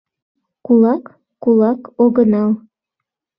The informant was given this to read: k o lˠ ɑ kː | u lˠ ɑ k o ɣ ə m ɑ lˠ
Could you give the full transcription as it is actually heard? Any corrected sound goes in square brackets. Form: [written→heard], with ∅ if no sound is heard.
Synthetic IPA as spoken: k [o→u] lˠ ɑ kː | u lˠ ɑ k o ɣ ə [m→n] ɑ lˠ